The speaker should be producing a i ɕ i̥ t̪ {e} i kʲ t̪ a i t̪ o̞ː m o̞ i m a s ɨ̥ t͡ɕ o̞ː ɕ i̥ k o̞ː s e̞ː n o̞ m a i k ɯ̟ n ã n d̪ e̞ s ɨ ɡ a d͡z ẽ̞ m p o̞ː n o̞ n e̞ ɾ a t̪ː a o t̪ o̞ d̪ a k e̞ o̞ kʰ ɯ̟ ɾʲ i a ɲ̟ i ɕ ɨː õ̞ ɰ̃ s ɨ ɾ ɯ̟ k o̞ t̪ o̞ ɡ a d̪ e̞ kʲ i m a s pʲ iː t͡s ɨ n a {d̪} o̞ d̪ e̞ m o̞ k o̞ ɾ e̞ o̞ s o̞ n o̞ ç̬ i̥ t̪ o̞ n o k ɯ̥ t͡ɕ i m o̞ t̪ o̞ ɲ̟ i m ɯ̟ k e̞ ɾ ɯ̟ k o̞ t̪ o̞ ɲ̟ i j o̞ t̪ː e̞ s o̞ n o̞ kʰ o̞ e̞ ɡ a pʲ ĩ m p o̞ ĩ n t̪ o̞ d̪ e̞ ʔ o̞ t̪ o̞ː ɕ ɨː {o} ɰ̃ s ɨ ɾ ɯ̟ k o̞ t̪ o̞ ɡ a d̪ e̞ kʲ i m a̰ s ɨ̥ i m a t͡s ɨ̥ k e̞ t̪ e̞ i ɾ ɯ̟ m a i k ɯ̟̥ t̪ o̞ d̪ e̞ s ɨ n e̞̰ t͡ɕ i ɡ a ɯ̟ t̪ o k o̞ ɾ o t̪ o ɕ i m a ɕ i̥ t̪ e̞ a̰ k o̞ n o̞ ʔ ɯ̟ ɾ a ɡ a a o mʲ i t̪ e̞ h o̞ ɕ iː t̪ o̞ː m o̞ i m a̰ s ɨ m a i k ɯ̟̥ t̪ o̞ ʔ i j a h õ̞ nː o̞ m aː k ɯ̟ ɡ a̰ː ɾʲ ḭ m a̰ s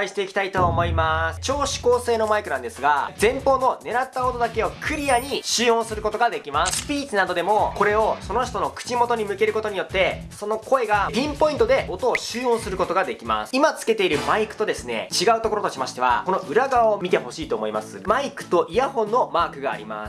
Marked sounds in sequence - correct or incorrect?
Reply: correct, correct, incorrect

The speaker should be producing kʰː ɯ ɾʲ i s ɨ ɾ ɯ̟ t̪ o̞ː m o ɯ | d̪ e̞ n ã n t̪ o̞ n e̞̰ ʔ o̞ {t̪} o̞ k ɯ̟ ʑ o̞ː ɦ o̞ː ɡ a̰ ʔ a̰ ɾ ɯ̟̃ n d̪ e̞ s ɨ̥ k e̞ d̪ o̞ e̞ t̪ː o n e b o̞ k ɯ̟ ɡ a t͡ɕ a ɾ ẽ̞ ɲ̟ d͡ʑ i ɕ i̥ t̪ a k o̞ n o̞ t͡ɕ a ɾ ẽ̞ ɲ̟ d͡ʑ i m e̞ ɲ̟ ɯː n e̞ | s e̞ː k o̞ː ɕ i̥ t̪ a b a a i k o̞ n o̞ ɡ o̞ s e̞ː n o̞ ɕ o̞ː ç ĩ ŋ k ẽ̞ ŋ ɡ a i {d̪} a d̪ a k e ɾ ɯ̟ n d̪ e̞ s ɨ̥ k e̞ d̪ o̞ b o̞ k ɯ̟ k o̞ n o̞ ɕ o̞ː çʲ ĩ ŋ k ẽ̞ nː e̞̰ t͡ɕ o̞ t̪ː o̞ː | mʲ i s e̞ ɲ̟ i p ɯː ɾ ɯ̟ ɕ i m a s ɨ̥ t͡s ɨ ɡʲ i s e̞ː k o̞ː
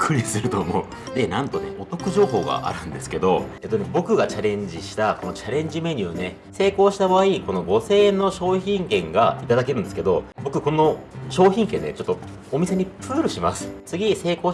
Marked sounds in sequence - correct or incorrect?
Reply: correct, incorrect

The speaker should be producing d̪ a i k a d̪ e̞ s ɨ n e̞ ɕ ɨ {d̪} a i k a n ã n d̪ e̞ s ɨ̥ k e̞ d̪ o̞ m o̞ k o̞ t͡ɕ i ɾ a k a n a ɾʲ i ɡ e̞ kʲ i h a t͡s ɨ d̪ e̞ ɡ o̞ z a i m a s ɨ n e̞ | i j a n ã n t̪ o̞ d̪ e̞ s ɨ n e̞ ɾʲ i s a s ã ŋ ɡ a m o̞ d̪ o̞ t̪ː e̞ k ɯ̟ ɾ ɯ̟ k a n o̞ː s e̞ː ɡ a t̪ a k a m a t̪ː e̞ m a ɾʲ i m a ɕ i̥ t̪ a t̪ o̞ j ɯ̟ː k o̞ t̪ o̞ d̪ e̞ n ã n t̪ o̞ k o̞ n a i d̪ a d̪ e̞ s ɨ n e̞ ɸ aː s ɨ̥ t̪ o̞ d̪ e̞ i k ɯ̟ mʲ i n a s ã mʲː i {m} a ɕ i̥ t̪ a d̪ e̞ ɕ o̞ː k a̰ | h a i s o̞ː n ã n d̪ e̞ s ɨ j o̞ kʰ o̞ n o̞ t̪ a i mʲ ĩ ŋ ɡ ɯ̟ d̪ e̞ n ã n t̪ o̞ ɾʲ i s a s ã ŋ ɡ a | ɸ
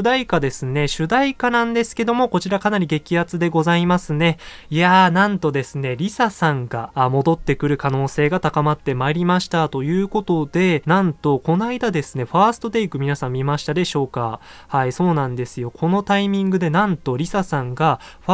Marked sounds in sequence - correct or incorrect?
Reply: correct, correct

